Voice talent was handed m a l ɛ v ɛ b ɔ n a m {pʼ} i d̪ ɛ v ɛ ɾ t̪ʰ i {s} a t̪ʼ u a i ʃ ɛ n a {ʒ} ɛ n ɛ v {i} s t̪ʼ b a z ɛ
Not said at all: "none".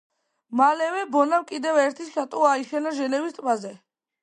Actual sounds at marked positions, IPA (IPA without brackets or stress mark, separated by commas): kʼ, ʃ, ʒ, i